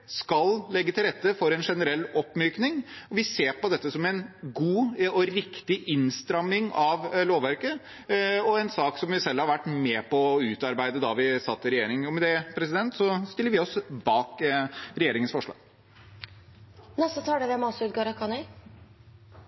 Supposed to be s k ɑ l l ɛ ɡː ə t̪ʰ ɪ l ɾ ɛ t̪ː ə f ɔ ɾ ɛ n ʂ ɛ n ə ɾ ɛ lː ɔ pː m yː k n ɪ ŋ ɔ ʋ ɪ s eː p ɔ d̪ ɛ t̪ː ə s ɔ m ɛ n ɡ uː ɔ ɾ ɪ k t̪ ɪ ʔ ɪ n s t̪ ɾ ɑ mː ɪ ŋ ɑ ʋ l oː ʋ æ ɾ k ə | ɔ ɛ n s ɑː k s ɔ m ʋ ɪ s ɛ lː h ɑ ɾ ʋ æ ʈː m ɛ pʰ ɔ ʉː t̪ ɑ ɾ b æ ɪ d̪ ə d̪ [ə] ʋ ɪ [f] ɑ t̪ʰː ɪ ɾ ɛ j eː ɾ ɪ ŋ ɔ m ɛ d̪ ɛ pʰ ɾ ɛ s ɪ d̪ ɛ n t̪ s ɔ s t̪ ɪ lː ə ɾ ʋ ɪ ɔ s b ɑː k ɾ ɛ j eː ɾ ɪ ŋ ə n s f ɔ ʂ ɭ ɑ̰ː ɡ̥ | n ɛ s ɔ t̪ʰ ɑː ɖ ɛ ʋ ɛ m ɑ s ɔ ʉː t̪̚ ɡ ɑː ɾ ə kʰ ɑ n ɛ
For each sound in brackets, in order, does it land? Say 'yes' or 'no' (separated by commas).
no, no